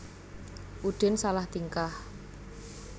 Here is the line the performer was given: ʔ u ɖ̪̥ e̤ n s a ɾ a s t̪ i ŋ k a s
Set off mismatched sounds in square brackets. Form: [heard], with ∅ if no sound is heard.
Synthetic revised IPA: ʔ u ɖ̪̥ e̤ n s a [l] a [h] t̪ i ŋ k a [h]

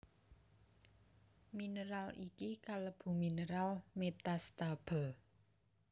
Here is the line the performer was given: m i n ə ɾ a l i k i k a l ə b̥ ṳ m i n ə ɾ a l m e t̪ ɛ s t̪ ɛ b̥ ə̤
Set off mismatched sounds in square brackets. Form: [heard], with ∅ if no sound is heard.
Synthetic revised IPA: m i n ə ɾ a l i k i k a l ə b̥ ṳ m i n ə ɾ a l m e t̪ [a] s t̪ [a] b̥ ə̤

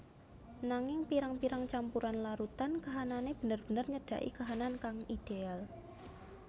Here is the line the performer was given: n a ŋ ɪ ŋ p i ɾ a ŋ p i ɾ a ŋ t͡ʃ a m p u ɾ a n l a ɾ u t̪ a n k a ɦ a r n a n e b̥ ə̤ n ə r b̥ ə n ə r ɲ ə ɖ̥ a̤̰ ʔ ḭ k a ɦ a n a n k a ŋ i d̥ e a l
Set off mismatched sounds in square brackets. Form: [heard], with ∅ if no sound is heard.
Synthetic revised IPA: n a ŋ ɪ ŋ p i ɾ a ŋ p i ɾ a ŋ t͡ʃ a m p u ɾ a n l a ɾ u t̪ a n k a ɦ a [∅] n a n e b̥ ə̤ n ə r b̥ ə n ə r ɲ ə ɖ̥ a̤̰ ʔ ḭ k a ɦ a n a n k a ŋ i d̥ e a l

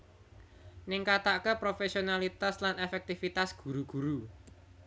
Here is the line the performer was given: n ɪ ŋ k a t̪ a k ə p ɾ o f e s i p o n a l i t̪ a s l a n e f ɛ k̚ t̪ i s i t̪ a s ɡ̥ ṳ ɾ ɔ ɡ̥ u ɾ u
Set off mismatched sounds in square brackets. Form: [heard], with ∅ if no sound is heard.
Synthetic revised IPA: n ɪ ŋ k a t̪ a k ə p ɾ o f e s i [∅] o n a l i t̪ a s l a n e f ɛ k̚ t̪ i [f] i t̪ a s ɡ̥ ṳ ɾ [u] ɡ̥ u ɾ u

